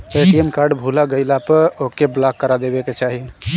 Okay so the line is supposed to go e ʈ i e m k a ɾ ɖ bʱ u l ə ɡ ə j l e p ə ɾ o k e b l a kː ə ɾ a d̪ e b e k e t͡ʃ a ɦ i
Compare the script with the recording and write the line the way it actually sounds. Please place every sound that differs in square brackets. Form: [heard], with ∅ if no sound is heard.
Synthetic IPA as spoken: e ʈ i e m k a ɾ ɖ bʱ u l [a] ɡ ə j l [a] p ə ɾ o k e b l a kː ə ɾ a d̪ e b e k e t͡ʃ a ɦ i